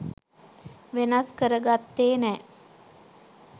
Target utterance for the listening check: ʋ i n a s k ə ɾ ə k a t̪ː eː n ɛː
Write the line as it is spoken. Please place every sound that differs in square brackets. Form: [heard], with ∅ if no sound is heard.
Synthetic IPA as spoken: ʋ [e] n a s k ə ɾ ə [ɡ] a t̪ː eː n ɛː